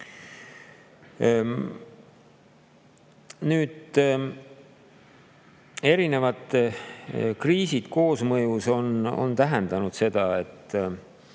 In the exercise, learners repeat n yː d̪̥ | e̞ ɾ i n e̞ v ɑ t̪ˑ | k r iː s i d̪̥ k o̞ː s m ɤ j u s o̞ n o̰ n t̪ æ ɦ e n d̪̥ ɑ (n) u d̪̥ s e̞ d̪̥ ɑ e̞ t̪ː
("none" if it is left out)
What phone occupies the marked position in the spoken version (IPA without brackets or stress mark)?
n